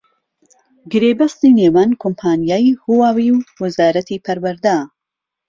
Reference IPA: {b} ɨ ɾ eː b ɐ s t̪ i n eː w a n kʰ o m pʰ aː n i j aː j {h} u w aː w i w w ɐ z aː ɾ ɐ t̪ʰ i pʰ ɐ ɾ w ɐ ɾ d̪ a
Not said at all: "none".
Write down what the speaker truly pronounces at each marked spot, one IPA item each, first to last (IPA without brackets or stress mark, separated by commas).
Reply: ɡ, h